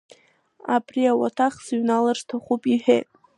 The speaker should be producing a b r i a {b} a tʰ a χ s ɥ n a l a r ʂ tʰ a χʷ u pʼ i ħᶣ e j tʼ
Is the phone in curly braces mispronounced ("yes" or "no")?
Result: yes